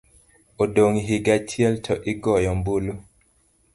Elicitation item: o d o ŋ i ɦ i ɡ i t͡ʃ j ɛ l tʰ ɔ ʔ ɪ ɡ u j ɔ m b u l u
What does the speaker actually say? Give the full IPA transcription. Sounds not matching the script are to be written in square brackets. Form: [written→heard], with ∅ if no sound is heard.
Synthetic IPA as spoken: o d o ŋ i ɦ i ɡ [i→a] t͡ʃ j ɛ l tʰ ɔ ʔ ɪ ɡ [u→ɔ] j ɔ m b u l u